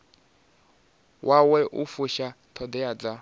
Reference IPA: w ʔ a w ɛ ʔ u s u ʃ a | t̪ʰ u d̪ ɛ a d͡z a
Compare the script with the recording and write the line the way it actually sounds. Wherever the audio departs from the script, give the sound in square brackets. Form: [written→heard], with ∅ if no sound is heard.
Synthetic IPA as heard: w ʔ a w ɛ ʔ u [s→f] u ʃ a | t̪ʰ [u→ɔ] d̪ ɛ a d͡z a